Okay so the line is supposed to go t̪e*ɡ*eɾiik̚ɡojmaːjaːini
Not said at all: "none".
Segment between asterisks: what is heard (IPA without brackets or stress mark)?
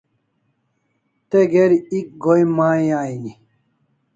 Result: ɡ